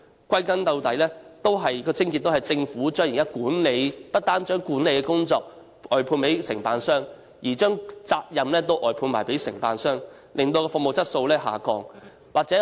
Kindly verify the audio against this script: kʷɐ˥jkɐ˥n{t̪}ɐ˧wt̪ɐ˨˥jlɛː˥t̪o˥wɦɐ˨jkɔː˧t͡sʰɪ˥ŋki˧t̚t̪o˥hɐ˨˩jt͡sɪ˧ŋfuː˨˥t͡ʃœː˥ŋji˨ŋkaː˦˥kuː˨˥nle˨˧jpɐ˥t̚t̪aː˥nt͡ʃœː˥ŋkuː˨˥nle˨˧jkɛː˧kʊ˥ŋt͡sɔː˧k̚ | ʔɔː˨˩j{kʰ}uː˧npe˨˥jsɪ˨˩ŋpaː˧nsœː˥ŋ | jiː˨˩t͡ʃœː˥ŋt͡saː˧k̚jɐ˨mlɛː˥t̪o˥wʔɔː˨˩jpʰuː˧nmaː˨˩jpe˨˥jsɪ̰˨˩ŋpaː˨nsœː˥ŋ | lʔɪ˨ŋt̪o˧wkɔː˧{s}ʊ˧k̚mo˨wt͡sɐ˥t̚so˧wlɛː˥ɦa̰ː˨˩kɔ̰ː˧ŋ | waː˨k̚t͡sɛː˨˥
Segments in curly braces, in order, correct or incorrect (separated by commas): correct, incorrect, incorrect